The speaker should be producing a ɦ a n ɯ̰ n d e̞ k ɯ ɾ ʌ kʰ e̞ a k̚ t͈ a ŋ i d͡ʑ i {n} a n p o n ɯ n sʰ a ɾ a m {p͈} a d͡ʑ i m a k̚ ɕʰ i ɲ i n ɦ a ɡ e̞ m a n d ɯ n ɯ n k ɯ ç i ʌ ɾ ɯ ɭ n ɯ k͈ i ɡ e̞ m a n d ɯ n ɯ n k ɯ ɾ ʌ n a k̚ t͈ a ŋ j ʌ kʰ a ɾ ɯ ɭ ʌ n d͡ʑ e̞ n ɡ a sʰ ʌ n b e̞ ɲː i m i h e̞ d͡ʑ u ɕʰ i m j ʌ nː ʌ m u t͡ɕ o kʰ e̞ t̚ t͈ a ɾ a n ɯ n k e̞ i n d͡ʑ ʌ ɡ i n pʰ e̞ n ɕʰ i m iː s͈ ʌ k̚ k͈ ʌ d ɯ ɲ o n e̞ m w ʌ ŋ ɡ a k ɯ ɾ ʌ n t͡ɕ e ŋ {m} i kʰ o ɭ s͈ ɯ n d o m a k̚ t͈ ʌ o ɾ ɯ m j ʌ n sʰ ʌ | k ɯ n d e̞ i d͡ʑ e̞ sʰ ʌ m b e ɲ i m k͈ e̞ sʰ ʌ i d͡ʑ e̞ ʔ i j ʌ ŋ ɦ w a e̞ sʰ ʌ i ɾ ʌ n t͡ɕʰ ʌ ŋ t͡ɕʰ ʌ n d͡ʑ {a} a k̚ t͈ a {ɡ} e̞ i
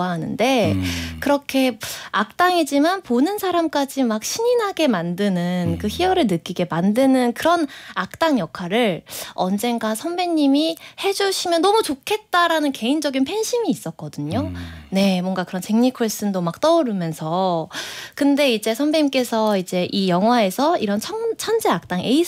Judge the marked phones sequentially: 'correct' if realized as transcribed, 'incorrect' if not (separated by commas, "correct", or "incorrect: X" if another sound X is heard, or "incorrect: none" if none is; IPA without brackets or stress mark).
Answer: incorrect: m, incorrect: k͈, incorrect: ɲ, incorrect: e, incorrect: ŋ